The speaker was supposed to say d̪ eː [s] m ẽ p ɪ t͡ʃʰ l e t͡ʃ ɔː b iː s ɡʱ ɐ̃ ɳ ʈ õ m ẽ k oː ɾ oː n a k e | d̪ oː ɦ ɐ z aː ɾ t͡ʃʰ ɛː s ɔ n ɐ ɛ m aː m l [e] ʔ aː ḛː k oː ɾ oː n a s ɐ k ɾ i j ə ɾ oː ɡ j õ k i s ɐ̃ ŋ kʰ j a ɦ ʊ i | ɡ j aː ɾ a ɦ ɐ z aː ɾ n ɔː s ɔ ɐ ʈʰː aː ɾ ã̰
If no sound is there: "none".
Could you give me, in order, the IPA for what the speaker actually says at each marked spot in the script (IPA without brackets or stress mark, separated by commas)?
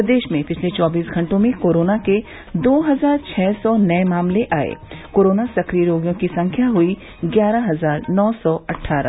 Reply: ʃ, e